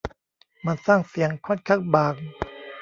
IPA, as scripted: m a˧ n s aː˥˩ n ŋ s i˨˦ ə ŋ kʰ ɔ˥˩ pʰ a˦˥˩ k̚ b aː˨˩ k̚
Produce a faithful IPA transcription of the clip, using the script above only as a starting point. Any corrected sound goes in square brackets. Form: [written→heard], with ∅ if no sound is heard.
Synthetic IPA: m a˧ n s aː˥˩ [n→∅] ŋ s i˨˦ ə ŋ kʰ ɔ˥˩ [pʰ→kʰ] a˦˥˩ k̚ b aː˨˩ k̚